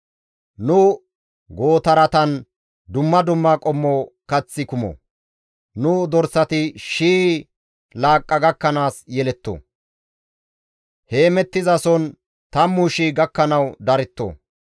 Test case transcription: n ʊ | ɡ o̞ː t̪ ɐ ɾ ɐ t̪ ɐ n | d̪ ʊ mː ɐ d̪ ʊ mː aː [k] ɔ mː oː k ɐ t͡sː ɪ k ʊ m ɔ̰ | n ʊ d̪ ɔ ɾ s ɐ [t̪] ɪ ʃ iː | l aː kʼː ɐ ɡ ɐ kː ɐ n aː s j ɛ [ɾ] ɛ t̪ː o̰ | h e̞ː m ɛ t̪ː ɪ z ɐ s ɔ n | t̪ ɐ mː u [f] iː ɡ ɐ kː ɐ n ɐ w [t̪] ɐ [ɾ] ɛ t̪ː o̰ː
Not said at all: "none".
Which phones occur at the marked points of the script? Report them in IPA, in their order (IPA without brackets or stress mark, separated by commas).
kʼ, t̪, l, ʃ, d̪, ɾ